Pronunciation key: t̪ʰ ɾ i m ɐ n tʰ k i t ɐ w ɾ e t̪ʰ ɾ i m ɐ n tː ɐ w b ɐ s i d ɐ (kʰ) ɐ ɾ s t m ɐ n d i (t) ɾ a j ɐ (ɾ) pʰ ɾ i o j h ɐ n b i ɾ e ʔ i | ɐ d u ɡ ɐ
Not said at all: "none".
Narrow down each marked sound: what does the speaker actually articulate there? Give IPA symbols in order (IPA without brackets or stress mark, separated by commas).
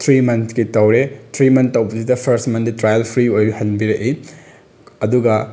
pʰ, t, l